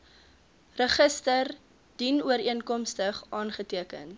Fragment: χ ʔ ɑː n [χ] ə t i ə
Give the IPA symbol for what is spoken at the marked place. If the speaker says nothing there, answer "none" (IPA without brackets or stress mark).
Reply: χ